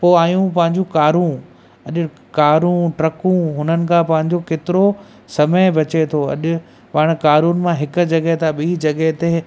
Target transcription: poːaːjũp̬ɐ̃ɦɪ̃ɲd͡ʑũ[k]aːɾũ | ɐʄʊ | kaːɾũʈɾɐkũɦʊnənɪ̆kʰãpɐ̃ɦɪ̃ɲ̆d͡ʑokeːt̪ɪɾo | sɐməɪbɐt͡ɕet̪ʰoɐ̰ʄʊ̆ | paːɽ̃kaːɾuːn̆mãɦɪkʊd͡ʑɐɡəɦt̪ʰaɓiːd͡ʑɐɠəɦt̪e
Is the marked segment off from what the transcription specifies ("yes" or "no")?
no